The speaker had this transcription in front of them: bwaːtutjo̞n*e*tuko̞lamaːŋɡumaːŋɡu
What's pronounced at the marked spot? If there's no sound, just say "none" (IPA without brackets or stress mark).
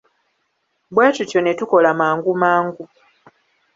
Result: e